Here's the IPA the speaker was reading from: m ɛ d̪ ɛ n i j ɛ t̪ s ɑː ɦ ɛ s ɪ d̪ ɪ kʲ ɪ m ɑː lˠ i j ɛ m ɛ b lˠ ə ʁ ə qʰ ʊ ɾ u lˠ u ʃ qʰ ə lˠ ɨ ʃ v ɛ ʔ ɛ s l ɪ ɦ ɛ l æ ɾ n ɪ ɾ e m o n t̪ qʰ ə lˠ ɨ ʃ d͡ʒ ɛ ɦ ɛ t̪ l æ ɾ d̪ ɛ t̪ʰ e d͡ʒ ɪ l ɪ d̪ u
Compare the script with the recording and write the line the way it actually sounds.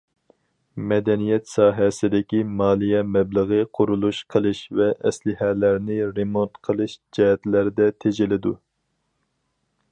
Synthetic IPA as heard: m ɛ d̪ ɛ n i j ɛ t̪ s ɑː ɦ ɛ s ɪ d̪ ɪ kʲ i m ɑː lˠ i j ɛ m ɛ b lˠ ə ʁ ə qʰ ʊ ɾ u lˠ u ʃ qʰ ə lˠ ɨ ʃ v ɛ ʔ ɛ s l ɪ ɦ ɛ l æ ɾ n ɪ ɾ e m o n t̪ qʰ ə lˠ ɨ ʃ d͡ʒ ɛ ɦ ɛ t̪ l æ ɾ d̪ ɛ t̪ʰ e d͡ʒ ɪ l ɪ d̪ u